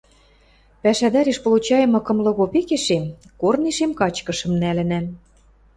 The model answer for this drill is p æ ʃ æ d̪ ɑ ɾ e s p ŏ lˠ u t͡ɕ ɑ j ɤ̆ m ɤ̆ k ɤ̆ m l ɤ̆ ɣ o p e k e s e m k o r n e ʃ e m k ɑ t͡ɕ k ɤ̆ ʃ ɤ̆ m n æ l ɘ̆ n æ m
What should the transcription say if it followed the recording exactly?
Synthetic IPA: p æ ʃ æ d̪ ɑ ɾ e ʃ p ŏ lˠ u t͡ɕ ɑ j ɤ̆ m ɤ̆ k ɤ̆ m l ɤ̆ ɣ o p e k e ʃ e m k o r n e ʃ e m k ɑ t͡ɕ k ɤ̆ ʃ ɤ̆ m n æ l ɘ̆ n æ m